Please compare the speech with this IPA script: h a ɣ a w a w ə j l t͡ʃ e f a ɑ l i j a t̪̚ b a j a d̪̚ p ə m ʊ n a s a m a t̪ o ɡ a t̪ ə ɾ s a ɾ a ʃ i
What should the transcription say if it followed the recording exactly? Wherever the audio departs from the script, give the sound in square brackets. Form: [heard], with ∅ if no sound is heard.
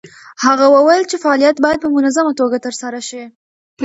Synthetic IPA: h a ɣ a w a w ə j l t͡ʃ e f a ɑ l i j a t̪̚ b [ɑ] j a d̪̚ p ə m ʊ n a [z] a m a t̪ o ɡ a t̪ ə ɾ s a ɾ a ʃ i